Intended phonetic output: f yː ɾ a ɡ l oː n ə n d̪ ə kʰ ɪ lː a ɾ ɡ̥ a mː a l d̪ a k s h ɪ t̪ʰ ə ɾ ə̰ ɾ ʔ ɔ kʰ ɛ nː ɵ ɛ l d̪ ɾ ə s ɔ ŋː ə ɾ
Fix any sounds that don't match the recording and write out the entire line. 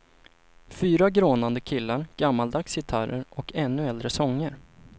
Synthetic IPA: f yː ɾ a ɡ ɾ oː n a n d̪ ə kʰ ɪ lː a ɾ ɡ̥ a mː a l d̪ a k s h ɪ t̪ʰ a ɾ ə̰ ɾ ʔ ɔ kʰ ɛ nː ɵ ɛ l d̪ ɾ ə s ɔ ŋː ə ɾ